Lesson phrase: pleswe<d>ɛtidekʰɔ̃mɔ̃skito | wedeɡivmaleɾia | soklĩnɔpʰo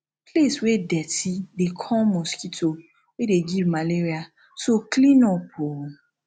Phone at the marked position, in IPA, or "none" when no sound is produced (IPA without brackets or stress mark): d